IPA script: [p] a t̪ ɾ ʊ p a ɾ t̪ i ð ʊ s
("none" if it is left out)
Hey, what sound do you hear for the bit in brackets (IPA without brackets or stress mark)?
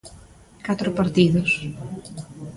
k